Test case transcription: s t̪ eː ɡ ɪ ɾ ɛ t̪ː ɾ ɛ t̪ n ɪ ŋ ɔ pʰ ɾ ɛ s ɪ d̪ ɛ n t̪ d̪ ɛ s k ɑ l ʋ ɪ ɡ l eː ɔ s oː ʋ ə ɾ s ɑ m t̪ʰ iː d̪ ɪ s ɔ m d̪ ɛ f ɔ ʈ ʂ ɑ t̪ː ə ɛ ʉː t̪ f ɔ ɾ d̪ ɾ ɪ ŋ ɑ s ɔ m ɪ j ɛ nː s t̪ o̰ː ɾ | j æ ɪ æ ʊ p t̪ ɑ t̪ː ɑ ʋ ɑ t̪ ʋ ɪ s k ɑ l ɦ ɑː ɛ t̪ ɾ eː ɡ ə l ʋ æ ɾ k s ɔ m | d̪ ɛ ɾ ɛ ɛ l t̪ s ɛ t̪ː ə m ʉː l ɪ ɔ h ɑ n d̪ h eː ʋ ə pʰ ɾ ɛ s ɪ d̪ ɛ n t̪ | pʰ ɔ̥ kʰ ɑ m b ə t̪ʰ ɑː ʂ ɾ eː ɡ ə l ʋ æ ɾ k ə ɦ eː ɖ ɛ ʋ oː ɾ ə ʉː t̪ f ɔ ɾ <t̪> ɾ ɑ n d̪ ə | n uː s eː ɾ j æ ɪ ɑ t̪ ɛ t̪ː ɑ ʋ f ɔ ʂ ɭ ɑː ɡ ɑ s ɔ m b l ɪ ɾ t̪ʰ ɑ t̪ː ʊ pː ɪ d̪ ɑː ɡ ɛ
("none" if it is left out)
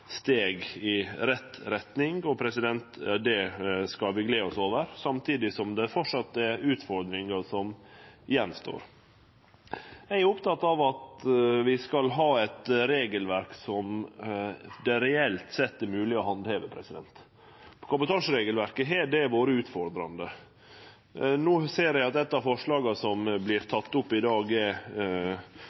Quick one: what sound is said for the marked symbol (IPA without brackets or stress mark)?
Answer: d̪